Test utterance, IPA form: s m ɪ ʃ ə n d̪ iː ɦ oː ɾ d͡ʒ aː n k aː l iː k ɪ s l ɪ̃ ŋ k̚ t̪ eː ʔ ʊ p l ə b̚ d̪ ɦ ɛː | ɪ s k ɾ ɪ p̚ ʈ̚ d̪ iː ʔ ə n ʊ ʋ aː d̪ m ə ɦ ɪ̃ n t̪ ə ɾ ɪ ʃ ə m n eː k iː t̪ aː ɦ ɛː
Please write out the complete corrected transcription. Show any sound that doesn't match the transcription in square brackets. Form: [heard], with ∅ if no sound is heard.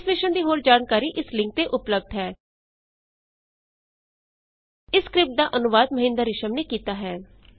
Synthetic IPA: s m ɪ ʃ ə n d̪ iː ɦ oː ɾ d͡ʒ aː n k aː [ɾ] iː [ʔ] ɪ s l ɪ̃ ŋ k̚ t̪ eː ʔ ʊ p l ə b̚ d̪ ɦ ɛː | ɪ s k ɾ ɪ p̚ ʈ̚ d̪ [aː] ʔ ə n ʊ ʋ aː d̪ m ə ɦ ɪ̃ n [d̪] ə ɾ ɪ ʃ ə m n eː k iː t̪ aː ɦ ɛː